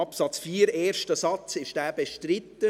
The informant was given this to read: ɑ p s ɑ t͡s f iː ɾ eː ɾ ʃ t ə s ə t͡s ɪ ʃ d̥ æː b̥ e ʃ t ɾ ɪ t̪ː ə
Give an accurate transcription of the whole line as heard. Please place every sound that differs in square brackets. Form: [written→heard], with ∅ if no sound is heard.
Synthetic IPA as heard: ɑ p s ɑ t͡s f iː ɾ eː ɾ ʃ t ə s [ə→ɑ] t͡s ɪ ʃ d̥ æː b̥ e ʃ t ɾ ɪ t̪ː ə